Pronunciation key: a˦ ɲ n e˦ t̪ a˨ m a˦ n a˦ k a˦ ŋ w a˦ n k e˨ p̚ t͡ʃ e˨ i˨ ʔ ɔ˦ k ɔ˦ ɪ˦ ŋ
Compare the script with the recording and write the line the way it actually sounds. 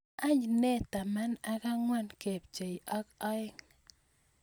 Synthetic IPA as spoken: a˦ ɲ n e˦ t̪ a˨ m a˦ n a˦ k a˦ ŋ w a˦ n k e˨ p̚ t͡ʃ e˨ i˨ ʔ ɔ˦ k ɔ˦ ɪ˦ ŋ